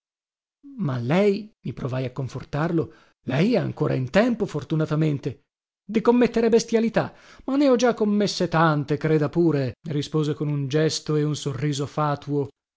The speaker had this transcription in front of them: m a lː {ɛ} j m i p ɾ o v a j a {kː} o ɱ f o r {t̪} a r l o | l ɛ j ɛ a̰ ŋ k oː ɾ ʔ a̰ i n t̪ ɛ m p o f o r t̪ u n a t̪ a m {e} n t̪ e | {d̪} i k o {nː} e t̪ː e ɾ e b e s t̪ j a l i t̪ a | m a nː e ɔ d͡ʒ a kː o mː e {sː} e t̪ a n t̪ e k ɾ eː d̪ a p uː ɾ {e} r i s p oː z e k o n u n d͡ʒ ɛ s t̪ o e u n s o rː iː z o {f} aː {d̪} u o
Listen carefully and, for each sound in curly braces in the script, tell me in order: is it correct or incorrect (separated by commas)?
correct, correct, correct, correct, correct, incorrect, correct, correct, correct, incorrect